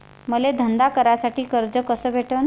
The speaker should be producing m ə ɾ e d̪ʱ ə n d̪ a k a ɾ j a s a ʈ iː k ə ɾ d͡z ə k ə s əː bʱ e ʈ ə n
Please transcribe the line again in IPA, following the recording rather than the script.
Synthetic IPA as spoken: m ə l e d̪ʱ ə n d̪ a k ə ɾ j a s a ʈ iː k ə ɾ d͡z ə k ə s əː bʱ e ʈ ə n